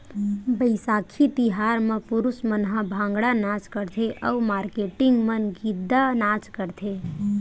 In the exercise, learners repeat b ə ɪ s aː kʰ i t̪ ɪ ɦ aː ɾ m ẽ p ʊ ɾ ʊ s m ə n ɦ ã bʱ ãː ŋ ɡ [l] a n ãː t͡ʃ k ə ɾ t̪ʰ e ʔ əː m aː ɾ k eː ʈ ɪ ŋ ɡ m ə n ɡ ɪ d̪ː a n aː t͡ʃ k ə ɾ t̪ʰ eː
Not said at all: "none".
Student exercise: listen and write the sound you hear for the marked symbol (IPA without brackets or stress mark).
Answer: ɽ